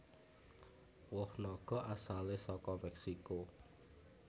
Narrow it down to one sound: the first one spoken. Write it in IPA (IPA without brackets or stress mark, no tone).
w